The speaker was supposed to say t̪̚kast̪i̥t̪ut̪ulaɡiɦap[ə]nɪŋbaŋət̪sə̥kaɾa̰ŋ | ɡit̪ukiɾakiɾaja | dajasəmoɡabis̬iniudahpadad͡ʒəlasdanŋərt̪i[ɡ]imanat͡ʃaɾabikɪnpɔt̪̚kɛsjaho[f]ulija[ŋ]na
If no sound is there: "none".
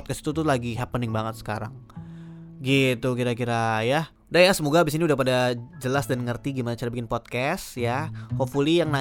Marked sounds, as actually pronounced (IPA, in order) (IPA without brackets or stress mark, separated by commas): ə, ɡ, f, ŋ